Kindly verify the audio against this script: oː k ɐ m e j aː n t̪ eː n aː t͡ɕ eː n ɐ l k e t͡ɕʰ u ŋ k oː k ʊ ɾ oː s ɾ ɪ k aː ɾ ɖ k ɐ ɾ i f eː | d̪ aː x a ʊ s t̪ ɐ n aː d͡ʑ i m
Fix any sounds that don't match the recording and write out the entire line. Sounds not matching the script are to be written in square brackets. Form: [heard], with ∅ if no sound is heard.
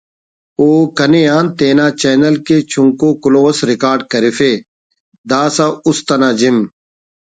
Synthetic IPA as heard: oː k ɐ [n] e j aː n t̪ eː n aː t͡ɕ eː n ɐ l k e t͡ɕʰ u ŋ k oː k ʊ [l] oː s ɾ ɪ k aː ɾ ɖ k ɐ ɾ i f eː | d̪ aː [s] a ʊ s t̪ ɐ n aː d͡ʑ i m